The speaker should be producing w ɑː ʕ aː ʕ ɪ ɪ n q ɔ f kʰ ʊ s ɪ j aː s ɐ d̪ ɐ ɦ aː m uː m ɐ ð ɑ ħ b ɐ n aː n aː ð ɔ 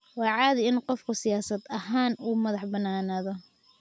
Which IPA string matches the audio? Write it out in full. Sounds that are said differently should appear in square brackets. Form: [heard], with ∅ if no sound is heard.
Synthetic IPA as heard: w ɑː ʕ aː [ð] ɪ ɪ n q ɔ f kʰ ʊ s ɪ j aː s ɐ d̪ ɐ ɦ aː [n] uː m ɐ ð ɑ ħ b ɐ n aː n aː ð ɔ